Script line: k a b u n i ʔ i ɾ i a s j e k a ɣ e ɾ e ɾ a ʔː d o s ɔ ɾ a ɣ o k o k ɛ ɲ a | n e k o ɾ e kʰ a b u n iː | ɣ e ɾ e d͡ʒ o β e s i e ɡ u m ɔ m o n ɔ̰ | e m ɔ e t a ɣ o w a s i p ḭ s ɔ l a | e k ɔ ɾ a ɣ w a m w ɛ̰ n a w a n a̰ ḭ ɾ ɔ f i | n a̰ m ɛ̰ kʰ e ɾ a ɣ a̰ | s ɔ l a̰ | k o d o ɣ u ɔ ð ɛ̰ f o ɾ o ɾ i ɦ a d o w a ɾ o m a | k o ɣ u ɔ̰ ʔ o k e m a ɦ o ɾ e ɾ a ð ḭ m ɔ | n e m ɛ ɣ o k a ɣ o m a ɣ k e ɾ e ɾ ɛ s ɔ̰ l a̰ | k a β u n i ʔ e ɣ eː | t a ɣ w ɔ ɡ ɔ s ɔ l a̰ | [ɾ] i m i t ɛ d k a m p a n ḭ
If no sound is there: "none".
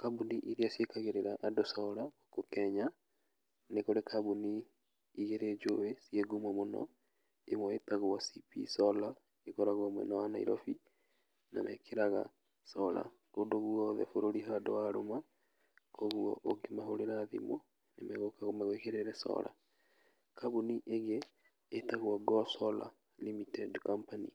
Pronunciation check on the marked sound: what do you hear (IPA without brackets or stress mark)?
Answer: l